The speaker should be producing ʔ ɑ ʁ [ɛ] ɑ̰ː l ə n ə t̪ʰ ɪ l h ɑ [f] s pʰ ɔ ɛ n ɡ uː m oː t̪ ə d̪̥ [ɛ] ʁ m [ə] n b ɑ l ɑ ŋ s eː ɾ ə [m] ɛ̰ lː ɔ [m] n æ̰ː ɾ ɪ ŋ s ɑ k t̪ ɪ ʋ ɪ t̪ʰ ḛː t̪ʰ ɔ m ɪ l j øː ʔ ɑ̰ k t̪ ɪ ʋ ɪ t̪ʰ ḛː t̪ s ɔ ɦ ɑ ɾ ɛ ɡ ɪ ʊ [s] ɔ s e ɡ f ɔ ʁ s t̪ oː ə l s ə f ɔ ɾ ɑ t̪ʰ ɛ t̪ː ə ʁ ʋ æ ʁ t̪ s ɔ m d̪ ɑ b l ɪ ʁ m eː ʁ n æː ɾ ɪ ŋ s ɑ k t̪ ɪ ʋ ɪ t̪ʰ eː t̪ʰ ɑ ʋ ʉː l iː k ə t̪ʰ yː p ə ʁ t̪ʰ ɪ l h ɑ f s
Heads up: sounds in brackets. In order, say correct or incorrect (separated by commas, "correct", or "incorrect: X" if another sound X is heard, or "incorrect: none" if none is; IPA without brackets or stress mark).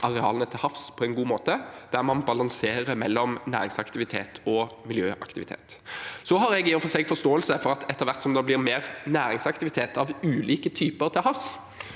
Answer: correct, correct, incorrect: æ, incorrect: ɑ, correct, correct, incorrect: f